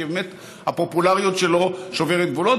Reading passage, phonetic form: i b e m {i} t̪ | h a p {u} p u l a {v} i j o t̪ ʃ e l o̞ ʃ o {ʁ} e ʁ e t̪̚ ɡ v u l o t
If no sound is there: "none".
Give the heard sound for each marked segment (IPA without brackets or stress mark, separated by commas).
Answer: e, o, ʁ, v